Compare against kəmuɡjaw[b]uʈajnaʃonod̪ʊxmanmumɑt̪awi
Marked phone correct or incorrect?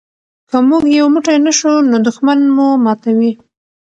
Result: incorrect